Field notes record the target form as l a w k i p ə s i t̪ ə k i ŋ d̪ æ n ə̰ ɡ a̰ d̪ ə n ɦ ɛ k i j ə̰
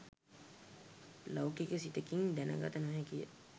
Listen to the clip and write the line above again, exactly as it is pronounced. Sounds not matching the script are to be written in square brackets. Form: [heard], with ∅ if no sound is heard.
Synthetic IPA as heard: l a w k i [k] ə s i t̪ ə k i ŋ d̪ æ n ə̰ ɡ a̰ [t̪] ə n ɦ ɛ k i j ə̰